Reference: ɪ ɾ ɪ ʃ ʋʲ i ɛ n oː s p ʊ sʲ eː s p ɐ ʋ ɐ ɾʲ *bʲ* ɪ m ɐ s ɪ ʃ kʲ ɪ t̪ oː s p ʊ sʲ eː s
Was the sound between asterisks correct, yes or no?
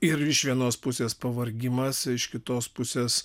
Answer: no